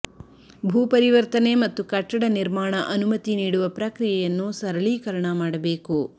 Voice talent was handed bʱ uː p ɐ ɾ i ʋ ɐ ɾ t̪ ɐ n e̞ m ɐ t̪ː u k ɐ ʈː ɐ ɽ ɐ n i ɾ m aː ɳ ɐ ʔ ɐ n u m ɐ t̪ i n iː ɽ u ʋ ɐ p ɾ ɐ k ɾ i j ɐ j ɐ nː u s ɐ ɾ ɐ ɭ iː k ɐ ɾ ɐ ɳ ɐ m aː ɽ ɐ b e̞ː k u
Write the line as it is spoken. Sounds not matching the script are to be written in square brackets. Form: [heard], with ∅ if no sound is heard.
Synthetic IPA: bʱ uː p ɐ ɾ i ʋ ɐ ɾ t̪ ɐ n e̞ m ɐ t̪ː u k ɐ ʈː ɐ ɽ ɐ n i ɾ m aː ɳ ɐ ʔ ɐ n u m ɐ t̪ i n iː ɽ u ʋ ɐ p ɾ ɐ k ɾ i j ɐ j ɐ nː u s ɐ ɾ ɐ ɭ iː k ɐ ɾ ɐ ɳ ɐ m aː ɽ ɐ b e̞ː k u